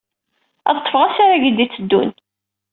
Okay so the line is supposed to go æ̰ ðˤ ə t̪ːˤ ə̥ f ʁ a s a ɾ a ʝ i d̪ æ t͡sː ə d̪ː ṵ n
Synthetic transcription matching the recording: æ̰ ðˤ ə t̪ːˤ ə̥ f ʁ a s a ɾ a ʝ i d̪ i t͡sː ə d̪ː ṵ n